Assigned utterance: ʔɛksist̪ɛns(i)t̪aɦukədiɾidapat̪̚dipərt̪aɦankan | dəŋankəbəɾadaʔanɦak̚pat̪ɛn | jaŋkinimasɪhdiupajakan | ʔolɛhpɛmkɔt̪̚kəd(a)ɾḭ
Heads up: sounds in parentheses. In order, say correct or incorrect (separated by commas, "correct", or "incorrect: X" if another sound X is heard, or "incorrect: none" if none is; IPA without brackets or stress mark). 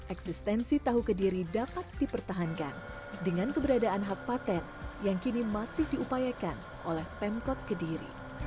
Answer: correct, incorrect: i